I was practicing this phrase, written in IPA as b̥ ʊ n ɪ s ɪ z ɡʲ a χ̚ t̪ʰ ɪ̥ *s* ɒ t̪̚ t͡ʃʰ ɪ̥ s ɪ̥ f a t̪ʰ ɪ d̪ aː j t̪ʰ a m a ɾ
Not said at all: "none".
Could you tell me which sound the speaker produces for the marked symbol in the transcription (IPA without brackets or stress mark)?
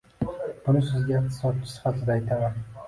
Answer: s